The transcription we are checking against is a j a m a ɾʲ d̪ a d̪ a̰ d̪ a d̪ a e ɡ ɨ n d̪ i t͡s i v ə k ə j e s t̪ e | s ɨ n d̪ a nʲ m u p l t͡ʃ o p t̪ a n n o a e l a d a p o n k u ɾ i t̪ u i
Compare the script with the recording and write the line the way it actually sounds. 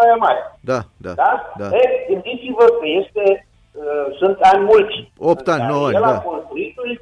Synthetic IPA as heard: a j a m a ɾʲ d̪ a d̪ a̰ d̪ a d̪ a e ɡ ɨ n d̪ i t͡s i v ə k ə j e s t̪ e | s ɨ n t̪ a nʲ m u l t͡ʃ o p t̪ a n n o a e l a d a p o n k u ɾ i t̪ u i